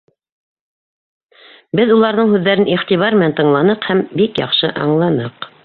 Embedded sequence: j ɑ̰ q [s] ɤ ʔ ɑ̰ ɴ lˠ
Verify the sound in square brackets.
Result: incorrect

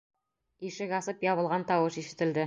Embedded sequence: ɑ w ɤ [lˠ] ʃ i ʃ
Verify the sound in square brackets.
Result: incorrect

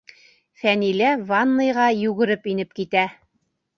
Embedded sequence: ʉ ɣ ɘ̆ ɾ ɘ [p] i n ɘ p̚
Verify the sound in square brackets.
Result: correct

